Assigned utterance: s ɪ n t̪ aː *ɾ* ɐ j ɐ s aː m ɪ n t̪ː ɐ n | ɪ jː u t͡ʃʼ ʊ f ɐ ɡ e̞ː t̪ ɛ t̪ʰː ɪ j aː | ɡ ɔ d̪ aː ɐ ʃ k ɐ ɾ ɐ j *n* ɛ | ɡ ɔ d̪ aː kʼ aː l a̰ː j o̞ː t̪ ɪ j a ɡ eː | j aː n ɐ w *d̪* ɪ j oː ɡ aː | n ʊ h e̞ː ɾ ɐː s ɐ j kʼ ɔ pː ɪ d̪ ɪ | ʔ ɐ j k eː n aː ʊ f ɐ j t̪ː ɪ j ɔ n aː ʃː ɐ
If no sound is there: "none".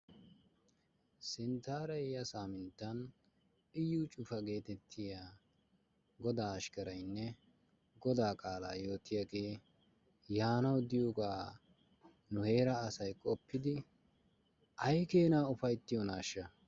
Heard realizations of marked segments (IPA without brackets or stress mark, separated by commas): ɾ, nː, d̪